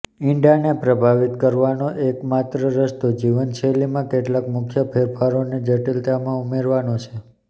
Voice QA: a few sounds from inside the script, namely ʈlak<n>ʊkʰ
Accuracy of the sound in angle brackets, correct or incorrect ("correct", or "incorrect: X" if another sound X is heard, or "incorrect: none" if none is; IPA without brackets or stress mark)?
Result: incorrect: m